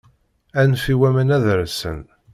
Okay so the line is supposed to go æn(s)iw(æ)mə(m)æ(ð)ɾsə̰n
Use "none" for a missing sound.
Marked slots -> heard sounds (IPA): f, æ, n, ð

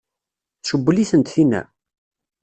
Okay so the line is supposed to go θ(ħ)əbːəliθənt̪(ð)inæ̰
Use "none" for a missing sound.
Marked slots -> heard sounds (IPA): ʃ, θ

